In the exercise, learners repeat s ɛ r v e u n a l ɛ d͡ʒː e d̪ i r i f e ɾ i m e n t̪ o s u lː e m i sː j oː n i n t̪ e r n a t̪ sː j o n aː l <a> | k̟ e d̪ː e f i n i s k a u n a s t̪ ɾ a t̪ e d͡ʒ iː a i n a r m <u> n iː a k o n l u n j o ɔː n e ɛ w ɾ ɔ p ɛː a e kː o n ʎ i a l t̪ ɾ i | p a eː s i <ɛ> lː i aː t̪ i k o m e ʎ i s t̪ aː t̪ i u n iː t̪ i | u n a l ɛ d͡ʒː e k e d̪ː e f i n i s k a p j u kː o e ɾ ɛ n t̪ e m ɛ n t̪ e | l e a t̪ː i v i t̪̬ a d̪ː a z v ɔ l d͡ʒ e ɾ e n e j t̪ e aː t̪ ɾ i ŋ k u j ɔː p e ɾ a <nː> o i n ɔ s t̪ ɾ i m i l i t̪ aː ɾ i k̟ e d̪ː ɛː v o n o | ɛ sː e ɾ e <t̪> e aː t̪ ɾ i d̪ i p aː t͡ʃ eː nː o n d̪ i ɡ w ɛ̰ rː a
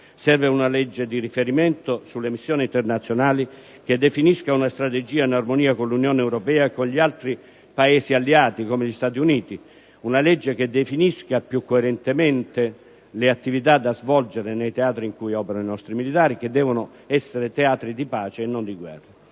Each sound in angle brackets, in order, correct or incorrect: incorrect: i, incorrect: o, incorrect: a, incorrect: n, correct

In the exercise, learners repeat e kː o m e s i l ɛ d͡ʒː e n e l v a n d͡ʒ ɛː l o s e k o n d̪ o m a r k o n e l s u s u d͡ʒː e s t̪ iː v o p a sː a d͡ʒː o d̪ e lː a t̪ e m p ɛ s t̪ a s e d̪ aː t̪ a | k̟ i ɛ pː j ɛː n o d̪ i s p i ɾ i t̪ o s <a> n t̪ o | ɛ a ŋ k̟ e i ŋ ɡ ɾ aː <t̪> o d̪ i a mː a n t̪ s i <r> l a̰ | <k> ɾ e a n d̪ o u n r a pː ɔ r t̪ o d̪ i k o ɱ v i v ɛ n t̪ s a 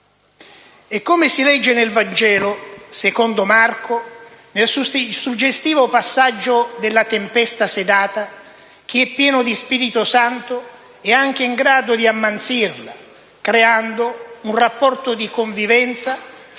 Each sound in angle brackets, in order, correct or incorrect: correct, incorrect: d̪, correct, correct

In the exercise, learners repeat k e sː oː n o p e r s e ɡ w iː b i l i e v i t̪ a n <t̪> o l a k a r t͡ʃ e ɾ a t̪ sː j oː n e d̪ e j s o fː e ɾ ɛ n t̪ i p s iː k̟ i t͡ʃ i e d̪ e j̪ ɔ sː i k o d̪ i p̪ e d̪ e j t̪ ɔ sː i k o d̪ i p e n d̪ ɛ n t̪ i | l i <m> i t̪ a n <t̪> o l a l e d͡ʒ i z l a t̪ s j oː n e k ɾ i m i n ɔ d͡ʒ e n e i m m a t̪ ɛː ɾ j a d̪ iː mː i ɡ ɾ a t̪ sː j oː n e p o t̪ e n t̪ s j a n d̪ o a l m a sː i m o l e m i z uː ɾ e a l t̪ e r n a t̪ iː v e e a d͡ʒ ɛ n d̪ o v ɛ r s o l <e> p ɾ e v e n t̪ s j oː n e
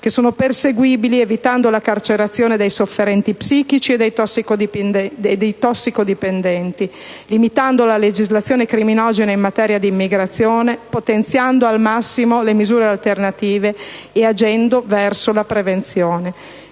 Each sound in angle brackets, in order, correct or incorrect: incorrect: d̪, correct, incorrect: d̪, incorrect: a

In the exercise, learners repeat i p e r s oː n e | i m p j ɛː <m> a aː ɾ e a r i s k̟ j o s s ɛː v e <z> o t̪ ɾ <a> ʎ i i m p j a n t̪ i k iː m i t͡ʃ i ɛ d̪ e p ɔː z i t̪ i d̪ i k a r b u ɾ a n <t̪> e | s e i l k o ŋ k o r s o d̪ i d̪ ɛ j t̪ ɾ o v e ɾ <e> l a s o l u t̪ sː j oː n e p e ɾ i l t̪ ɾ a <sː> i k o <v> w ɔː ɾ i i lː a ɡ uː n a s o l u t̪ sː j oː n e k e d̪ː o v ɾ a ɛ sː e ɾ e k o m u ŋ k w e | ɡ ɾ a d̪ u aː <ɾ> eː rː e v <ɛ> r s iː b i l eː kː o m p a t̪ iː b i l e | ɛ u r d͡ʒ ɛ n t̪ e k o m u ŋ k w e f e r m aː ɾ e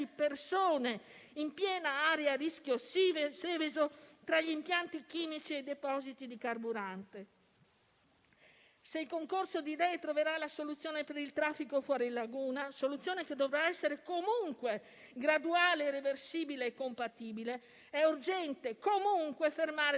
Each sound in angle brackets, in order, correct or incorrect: incorrect: n, correct, correct, correct, incorrect: a, incorrect: fː, incorrect: f, incorrect: l, incorrect: e

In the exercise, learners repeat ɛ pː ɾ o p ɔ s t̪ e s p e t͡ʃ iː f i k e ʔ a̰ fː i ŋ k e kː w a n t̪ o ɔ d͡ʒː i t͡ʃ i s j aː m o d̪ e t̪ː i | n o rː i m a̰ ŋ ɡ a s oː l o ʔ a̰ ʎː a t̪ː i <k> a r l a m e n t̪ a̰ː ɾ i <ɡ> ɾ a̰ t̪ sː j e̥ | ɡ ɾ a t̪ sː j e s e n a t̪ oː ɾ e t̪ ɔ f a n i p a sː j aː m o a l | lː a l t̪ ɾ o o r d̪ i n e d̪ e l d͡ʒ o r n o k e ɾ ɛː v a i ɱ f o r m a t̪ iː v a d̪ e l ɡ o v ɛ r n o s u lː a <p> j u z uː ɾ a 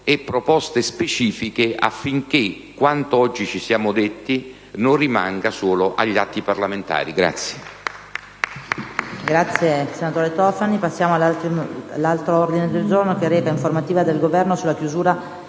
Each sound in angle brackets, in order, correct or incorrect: incorrect: p, correct, incorrect: k

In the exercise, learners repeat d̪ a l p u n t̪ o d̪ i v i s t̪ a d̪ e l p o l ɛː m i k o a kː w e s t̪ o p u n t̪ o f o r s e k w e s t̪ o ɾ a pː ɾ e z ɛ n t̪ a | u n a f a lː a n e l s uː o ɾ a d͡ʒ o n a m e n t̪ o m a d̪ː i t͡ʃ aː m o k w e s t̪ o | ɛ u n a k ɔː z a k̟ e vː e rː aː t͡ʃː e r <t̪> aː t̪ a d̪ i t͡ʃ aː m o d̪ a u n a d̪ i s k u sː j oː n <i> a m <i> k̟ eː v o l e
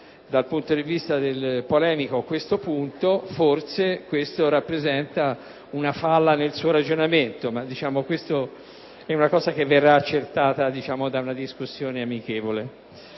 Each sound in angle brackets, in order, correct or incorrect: correct, incorrect: e, correct

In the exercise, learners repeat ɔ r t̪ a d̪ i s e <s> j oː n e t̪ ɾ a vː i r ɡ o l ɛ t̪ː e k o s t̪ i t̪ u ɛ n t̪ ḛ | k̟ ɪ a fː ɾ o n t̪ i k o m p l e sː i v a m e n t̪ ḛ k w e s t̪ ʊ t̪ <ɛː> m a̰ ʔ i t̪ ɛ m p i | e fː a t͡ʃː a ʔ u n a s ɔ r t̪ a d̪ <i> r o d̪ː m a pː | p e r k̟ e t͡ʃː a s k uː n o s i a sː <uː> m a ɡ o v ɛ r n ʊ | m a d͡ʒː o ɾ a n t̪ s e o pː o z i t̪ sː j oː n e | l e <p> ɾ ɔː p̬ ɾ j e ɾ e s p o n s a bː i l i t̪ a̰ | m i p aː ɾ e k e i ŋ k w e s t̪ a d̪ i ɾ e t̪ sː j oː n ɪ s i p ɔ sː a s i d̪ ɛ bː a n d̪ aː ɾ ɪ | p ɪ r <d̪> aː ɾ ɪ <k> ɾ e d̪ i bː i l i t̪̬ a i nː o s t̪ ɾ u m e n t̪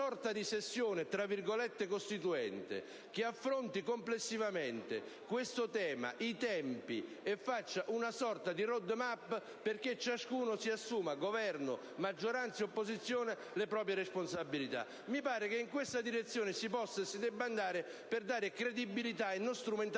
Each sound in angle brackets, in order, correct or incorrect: incorrect: sː, correct, correct, correct, correct, correct, correct

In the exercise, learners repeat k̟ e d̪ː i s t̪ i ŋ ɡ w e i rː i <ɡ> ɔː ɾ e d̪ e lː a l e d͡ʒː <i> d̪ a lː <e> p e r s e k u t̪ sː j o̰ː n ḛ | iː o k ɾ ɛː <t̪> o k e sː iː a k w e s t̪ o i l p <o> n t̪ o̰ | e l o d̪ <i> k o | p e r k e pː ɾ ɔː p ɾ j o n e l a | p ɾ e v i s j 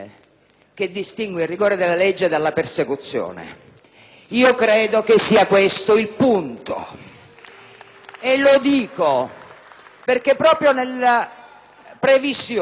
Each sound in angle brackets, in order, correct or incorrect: correct, incorrect: e, incorrect: a, incorrect: d̪, incorrect: u, incorrect: iː

